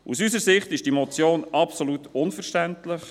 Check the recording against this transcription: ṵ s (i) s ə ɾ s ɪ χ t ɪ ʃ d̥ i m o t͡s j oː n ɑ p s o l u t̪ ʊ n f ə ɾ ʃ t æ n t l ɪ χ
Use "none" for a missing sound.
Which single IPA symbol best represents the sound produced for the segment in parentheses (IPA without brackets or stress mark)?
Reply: y